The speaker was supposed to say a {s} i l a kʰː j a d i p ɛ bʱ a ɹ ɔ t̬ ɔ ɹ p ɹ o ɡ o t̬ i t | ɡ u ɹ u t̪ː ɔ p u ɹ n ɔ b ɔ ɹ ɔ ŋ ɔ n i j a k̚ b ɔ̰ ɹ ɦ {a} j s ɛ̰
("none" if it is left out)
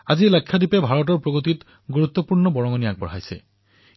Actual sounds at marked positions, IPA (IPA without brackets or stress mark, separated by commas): z, a